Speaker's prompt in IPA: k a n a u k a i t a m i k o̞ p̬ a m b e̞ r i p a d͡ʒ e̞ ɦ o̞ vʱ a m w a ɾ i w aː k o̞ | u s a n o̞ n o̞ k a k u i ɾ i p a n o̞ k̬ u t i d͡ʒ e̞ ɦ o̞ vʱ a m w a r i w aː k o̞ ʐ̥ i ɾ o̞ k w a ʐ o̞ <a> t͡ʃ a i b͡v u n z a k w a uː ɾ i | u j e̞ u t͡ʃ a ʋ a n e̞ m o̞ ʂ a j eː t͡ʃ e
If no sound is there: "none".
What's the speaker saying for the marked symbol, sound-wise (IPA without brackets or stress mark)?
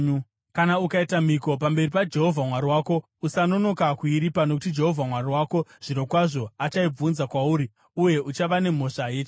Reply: a